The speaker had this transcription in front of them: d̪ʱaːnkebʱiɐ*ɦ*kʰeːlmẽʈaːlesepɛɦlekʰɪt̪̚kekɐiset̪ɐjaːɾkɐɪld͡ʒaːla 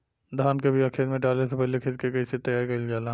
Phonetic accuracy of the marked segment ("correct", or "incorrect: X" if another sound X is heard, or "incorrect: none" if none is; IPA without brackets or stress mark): incorrect: none